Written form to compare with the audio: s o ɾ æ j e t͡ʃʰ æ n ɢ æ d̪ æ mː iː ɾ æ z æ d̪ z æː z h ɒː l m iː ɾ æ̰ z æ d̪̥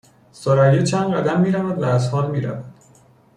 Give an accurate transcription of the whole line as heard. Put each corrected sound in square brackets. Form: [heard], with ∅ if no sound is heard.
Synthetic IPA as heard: s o ɾ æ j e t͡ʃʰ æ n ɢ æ d̪ æ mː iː ɾ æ [v] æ d̪ [v] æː z h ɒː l m iː ɾ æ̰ [v] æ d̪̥